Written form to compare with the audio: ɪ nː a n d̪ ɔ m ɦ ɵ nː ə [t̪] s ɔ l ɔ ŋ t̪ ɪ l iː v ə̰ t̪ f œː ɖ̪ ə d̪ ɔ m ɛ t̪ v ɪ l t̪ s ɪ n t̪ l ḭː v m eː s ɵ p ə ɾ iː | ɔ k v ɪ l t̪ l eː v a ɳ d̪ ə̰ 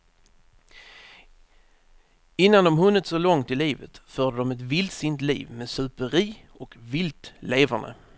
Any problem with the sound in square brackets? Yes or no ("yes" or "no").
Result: no